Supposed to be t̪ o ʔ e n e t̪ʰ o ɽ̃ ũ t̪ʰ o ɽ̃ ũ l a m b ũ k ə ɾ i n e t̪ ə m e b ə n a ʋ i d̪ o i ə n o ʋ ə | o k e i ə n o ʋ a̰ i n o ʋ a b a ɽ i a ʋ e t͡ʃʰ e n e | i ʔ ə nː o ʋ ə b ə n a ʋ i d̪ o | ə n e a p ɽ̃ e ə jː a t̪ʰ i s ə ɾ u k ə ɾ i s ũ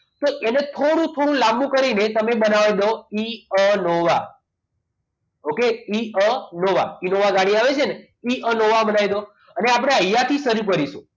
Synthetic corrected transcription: t̪ o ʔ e n e t̪ʰ o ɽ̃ ũ t̪ʰ o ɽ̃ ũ l a m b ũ k ə ɾ i n e t̪ ə m e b ə n a ʋ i d̪ o i ə n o ʋ a | o k e i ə n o ʋ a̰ i n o ʋ a ɡ a ɽ i a ʋ e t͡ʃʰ e n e | i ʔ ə n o ʋ a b ə n a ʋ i d̪ o | ə n e a p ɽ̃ e ə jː a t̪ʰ i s ə ɾ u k ə ɾ i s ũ

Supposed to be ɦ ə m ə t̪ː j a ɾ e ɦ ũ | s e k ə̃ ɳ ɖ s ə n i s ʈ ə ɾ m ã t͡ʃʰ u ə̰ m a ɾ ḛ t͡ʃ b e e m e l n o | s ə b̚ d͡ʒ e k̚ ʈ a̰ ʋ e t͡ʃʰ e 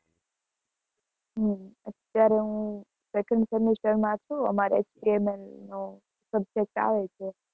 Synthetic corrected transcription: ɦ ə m ə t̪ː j a ɾ e ɦ ũ | s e k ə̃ ɳ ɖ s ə m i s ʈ ə ɾ m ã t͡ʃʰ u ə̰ m a ɾ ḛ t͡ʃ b i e m e l n o | s ə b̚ d͡ʒ e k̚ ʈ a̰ ʋ e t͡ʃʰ e

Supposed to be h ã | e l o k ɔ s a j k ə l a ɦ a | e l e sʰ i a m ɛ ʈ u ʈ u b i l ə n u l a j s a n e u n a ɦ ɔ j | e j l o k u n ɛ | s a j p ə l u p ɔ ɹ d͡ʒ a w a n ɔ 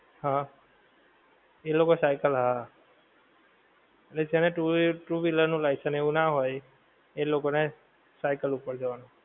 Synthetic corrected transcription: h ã | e l o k ɔ s a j k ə l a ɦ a | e l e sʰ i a n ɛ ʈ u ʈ u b i l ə n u l a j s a n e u n a ɦ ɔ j | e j l o k ɔ n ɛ | s a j k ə l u p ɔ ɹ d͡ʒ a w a n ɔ

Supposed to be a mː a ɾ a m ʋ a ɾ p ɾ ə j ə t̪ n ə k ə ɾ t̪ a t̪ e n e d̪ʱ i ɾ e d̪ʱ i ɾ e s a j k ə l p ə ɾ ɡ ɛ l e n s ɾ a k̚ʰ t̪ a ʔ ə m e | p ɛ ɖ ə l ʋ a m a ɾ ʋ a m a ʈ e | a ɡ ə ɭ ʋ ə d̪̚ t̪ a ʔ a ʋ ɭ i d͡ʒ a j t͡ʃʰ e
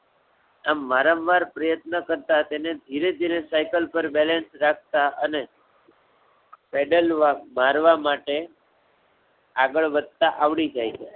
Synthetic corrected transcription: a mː a ɾ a m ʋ a ɾ p ɾ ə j ə t̪ n ə k ə ɾ t̪ a t̪ e n e d̪ʱ i ɾ e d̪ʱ i ɾ e s a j k ə l p ə ɾ b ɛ l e n s ɾ a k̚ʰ t̪ a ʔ ə n e | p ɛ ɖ ə l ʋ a m a ɾ ʋ a m a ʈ e | a ɡ ə ɭ ʋ ə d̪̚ t̪ a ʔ a ʋ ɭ i d͡ʒ a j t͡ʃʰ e

